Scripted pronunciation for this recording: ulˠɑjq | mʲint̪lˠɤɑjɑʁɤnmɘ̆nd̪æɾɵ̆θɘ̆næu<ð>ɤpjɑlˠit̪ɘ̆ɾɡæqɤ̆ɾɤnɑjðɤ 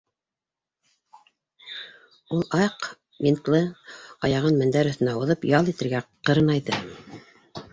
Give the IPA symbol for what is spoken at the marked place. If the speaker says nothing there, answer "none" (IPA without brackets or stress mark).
ð